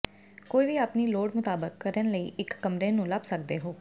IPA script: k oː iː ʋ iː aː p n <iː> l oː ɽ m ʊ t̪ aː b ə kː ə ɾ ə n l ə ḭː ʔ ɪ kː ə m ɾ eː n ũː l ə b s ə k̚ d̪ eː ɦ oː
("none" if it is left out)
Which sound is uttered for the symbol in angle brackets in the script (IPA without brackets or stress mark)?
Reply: iː